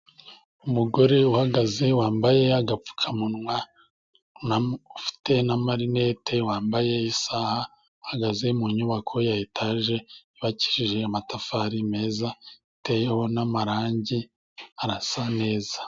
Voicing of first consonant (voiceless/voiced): voiced